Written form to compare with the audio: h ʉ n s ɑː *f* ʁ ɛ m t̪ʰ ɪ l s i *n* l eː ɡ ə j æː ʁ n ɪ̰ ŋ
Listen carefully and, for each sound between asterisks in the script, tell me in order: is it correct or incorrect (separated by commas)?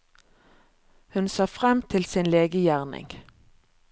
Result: correct, correct